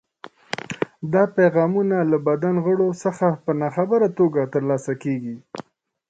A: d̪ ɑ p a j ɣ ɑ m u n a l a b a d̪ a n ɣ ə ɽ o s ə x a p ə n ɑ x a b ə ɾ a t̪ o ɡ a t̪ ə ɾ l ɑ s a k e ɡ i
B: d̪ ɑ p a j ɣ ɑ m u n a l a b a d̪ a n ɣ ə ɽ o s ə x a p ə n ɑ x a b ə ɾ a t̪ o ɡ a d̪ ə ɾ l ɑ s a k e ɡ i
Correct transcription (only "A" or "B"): A